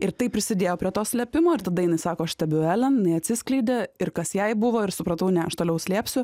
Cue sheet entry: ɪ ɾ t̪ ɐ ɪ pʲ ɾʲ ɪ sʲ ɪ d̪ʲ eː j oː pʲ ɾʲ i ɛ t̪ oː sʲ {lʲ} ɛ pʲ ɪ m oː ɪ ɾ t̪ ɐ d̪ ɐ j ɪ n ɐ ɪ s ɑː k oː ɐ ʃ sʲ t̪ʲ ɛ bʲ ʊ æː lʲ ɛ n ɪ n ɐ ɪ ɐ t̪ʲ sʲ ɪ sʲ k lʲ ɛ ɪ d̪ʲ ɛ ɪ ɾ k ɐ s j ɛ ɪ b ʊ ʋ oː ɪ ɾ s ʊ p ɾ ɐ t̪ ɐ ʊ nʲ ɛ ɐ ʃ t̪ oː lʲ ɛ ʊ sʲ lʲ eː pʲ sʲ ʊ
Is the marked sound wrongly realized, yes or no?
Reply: no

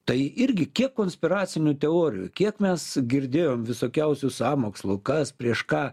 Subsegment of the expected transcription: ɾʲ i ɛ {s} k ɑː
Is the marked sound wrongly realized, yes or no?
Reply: yes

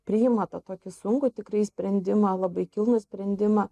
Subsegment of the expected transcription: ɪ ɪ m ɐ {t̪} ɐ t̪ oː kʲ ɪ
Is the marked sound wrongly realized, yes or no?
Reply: no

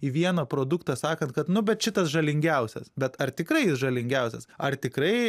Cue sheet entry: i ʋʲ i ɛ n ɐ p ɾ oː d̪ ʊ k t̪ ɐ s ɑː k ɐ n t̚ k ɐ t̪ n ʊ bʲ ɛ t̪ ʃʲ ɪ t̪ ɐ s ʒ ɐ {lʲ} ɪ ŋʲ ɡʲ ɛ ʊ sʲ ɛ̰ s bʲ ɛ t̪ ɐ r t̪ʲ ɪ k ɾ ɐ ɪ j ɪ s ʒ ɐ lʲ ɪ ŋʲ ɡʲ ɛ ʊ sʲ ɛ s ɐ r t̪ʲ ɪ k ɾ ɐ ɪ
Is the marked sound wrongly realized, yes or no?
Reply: no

